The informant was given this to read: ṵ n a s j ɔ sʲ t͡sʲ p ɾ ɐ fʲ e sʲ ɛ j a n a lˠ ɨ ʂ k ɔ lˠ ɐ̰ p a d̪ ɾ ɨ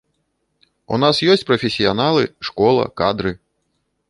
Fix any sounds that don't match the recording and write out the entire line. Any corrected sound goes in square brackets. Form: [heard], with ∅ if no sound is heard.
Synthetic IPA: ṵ n a s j ɔ sʲ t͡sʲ p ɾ ɐ fʲ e sʲ [i] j a n a lˠ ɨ ʂ k ɔ lˠ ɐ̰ [k] a d̪ ɾ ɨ